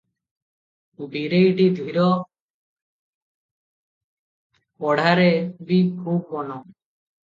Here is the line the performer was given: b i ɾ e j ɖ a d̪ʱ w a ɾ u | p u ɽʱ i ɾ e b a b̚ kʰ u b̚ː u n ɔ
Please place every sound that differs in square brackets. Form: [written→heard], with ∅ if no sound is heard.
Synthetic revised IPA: b i ɾ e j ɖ [a→i] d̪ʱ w [a→i] ɾ [u→ɔ] | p [u→ɔ] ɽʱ [i→a] ɾ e b [a→i] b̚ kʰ u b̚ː [u→ɔ] n ɔ